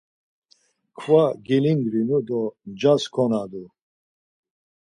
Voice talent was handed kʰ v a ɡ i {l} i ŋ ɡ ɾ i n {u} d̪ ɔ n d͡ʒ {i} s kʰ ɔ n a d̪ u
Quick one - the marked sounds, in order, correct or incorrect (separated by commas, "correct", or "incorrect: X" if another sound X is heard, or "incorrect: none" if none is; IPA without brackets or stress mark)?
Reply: correct, correct, incorrect: a